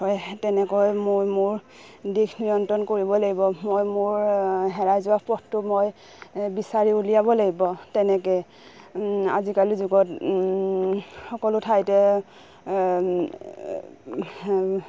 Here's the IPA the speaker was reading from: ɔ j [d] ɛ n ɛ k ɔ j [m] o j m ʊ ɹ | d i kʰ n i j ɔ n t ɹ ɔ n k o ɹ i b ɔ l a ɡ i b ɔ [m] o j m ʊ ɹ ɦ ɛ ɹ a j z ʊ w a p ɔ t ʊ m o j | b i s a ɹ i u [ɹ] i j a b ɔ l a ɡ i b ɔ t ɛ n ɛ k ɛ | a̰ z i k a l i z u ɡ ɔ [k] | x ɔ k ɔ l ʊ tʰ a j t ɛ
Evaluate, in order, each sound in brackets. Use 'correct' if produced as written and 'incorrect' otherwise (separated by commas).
incorrect, correct, correct, incorrect, incorrect